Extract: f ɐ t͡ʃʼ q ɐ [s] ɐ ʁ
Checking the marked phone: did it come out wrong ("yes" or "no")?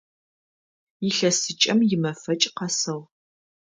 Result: no